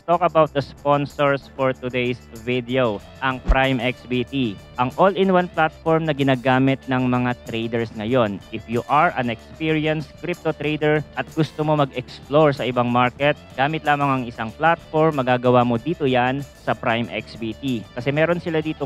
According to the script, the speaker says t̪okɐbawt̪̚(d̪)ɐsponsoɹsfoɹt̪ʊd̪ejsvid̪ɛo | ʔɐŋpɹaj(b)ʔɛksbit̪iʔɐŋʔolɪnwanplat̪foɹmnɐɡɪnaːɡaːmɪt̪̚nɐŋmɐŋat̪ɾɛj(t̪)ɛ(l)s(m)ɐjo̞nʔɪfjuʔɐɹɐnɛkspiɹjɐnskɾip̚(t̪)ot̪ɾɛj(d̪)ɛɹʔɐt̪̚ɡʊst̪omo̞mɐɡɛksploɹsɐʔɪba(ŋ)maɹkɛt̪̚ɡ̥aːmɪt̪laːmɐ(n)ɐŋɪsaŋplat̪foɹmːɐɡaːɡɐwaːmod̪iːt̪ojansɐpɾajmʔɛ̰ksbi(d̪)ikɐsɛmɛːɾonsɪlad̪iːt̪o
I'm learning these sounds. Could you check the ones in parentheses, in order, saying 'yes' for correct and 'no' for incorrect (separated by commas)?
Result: yes, no, no, no, no, yes, yes, yes, no, no